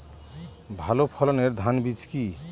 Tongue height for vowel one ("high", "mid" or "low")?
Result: low